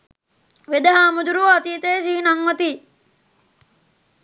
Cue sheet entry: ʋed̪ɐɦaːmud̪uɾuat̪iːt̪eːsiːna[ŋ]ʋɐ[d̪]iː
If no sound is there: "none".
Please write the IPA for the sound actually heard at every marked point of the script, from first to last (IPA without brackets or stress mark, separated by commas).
ŋ, t̪